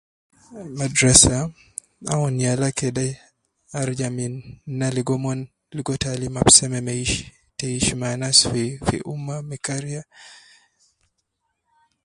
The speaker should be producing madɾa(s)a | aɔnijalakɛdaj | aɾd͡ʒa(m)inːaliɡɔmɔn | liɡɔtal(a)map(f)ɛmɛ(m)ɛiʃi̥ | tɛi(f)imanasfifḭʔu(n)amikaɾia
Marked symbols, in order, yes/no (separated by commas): yes, yes, no, no, yes, no, no